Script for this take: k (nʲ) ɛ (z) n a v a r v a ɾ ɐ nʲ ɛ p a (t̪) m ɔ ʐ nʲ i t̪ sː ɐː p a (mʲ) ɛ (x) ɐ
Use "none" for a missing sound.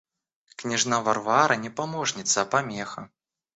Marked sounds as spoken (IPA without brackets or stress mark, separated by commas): nʲ, ʐ, none, mʲ, x